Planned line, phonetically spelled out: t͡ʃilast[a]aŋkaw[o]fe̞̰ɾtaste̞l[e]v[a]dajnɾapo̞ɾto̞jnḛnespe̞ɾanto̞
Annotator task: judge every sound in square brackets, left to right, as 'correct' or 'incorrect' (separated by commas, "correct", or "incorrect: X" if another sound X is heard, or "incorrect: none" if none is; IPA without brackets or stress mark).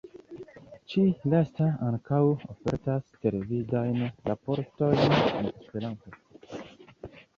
correct, correct, correct, incorrect: i